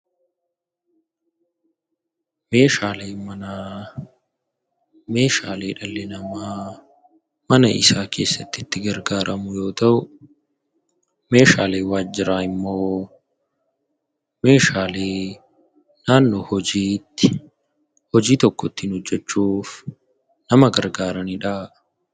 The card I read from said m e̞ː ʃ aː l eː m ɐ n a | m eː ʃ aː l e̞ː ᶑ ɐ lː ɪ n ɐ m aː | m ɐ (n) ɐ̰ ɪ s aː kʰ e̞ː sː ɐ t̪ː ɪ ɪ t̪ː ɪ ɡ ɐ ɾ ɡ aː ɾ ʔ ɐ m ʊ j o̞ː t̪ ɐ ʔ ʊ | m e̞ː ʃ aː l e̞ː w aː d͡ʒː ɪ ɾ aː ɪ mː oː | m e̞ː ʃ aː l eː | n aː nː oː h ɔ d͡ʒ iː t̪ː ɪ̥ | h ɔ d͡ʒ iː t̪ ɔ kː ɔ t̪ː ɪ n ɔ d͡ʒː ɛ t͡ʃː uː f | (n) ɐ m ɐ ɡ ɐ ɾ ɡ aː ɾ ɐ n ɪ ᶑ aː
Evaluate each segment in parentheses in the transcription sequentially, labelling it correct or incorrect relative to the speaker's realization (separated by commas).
correct, correct